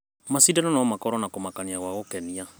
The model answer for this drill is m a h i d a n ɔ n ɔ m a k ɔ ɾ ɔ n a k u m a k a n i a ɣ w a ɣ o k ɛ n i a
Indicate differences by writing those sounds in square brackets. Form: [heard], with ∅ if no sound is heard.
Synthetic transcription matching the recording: m a [s] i d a n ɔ n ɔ m a k ɔ ɾ ɔ n a k [o] m a k a n i a ɣ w a ɣ o k ɛ n i a